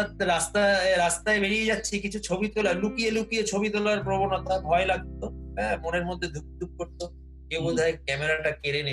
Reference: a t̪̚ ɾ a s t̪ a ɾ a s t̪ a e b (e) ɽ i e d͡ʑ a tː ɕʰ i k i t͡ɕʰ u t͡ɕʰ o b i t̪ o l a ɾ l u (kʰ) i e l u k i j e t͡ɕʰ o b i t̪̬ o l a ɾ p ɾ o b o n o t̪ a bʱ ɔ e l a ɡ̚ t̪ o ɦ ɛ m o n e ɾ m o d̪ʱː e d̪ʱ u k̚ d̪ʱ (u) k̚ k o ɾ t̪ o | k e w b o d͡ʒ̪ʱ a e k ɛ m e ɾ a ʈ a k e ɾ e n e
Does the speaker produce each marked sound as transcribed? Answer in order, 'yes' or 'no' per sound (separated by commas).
yes, no, yes